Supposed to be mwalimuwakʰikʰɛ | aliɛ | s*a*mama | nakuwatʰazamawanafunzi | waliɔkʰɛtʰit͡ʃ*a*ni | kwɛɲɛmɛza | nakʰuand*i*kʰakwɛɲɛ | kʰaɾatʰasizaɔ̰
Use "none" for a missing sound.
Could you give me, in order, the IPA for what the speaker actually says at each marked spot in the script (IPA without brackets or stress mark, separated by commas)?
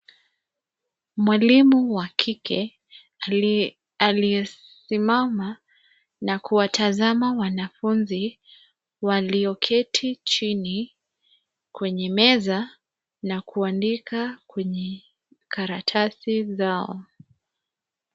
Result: i, i, i